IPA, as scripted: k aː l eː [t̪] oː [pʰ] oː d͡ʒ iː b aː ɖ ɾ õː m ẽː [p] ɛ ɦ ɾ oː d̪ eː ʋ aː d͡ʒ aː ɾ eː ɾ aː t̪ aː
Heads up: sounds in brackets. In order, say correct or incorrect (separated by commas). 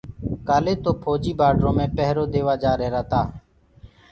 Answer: correct, correct, correct